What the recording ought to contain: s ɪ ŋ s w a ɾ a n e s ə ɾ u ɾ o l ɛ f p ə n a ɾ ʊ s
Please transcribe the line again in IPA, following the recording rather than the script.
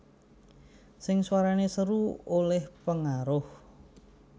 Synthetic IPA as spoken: s ɪ ŋ s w a ɾ a n e s ə ɾ u o l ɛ h p ə ŋ a ɾ ʊ h